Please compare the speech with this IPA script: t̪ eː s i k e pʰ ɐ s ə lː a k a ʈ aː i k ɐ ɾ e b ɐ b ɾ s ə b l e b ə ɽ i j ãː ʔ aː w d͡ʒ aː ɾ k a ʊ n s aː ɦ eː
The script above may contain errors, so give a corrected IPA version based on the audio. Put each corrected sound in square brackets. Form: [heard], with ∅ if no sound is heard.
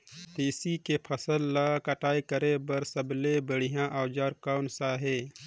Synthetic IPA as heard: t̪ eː s i k e pʰ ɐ s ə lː a k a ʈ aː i k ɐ ɾ e b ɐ [∅] ɾ s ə b l e b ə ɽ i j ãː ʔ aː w d͡ʒ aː ɾ k a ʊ n s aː ɦ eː